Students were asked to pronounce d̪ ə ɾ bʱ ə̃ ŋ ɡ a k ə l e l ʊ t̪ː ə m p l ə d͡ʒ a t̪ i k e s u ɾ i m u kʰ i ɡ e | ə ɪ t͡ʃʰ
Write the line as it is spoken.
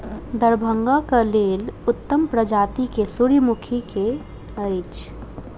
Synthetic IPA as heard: d̪ ə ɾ bʱ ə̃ ŋ ɡ a k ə l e l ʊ t̪ː ə m p ɾ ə d͡ʒ a t̪ i k e s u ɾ i m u kʰ i k e | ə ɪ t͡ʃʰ

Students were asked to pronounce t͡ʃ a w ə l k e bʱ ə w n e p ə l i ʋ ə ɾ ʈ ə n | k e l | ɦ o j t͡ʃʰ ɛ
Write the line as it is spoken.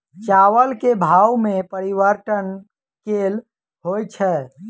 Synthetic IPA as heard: t͡ʃ a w ə l k e bʱ a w m e p ə ɾ i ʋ ə ɾ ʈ ə n | k e l | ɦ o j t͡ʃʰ ɛ

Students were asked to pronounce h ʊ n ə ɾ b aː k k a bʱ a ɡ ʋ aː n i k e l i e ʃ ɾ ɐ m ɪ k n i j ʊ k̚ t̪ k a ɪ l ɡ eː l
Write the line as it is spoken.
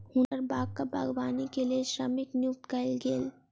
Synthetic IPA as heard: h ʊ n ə ɾ b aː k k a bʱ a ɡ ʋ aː n i k e l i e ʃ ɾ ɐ m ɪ k n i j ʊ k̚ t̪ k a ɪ l ɡ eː l

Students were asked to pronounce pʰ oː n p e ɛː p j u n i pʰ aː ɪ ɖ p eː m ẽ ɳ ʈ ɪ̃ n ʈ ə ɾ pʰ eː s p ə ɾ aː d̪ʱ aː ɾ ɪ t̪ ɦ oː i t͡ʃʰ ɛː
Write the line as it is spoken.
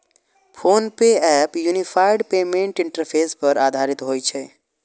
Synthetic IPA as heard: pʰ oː n p e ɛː p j u n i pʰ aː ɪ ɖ p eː m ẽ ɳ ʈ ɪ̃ ɳ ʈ ə ɾ pʰ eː s p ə ɾ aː d̪ʱ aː ɾ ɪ t̪ ɦ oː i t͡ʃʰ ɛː

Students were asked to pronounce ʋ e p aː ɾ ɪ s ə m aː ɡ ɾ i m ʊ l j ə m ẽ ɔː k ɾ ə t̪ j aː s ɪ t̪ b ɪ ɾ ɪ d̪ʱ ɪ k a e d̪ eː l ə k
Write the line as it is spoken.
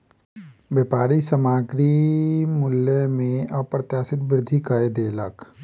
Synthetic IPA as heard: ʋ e p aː ɾ i s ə m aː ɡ ɾ i m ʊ l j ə m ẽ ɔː p ɾ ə t̪ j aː s ɪ t̪ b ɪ ɾ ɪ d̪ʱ i k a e d̪ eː l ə k

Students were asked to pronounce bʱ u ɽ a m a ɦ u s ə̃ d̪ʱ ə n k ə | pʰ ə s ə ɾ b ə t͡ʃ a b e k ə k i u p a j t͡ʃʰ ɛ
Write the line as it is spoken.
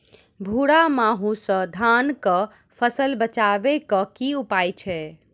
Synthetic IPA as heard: bʱ u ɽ a m a ɦ u s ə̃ d̪ʱ a n k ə | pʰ ə s ə l b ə t͡ʃ a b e k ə k i u p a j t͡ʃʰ ɛ

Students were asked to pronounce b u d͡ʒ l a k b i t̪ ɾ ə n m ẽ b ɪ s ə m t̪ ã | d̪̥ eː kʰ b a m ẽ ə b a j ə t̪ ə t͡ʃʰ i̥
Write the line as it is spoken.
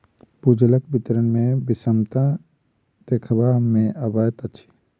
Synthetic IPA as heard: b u d͡ʒ l ə k b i t̪ ɾ ə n m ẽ b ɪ s ə m t̪ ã | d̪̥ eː kʰ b a m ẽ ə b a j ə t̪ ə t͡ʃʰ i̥

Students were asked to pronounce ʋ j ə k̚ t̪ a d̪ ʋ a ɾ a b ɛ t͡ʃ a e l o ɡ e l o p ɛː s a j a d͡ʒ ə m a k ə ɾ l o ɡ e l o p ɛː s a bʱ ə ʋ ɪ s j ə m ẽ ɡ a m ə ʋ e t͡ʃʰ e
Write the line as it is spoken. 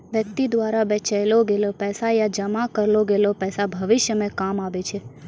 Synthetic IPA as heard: ʋ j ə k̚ t̪ i d̪ ʋ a ɾ a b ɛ t͡ʃ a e l o ɡ e l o p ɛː s a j a d͡ʒ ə m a k ə ɾ l o ɡ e l o p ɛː s a bʱ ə ʋ ɪ ʃ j ə m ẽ k a m a ʋ e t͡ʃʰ e

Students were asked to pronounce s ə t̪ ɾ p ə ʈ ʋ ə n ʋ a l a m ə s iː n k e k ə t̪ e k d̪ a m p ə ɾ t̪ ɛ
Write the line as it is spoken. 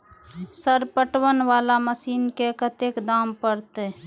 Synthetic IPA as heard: s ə ɾ p ə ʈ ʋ ə n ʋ a l a m ə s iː n k e k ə t̪ e k d̪ a m p ə ɾ t̪ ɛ

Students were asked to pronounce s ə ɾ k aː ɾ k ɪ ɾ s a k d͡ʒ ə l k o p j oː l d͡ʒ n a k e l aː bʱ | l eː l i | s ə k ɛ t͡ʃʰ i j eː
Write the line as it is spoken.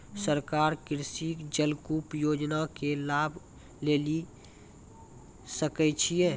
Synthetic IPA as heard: s ə ɾ k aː ɾ k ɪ ɾ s i k d͡ʒ ə l k u p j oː d͡ʒ n a k e l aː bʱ | l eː l i | s ə k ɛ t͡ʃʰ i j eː

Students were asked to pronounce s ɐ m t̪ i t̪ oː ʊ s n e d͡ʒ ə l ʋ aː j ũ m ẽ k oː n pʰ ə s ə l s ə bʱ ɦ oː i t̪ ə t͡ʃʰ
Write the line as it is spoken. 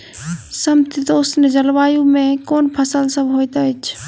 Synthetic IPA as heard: s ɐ m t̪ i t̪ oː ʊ s n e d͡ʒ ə l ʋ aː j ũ m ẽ k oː n pʰ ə s ə l s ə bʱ ɦ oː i t̪ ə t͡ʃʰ

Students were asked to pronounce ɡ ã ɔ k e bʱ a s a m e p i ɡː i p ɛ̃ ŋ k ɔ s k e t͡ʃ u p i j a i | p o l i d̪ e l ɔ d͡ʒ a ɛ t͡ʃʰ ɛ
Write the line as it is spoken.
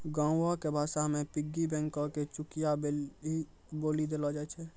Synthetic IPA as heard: ɡ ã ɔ k e bʱ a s a m e p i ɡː i b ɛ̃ ŋ k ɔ k e t͡ʃ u k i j a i | b o l i d̪ e l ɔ d͡ʒ a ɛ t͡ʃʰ ɛ

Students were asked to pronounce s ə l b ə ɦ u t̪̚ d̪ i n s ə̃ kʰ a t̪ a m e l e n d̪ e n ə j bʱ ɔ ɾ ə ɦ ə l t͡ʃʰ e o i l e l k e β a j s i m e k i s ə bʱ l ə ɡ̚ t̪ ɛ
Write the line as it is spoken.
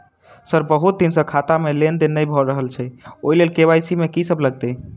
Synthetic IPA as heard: s ə ɾ b ə ɦ u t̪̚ d̪ i n s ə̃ kʰ a t̪ a m e l e n d̪ e n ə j bʱ ɔ ɾ ə ɦ ə l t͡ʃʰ ɛ o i l e l k e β a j s i m e k i s ə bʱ l ə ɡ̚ t̪ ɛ

